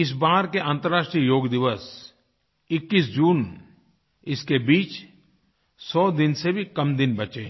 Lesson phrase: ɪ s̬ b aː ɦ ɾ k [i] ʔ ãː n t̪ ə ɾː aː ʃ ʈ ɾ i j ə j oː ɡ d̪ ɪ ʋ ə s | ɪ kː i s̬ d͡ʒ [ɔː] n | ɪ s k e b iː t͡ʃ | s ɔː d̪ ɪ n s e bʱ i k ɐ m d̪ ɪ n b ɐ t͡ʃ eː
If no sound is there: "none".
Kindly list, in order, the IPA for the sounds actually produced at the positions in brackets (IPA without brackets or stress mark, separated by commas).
e, uː